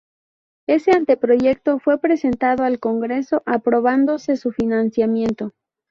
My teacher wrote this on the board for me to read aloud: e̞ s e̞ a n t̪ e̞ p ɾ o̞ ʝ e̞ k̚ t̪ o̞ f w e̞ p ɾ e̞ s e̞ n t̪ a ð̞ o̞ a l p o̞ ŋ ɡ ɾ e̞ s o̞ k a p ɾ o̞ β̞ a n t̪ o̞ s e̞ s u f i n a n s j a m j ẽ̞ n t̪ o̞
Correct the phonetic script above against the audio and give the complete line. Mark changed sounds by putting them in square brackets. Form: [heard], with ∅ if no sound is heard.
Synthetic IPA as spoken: e̞ s e̞ a n t̪ e̞ p ɾ o̞ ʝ e̞ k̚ t̪ o̞ f w e̞ p ɾ e̞ s e̞ n t̪ a ð̞ o̞ a l [k] o̞ ŋ ɡ ɾ e̞ s o̞ [ʔ] a p ɾ o̞ β̞ a n [d̪] o̞ s e̞ s u f i n a n s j a m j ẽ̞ n t̪ o̞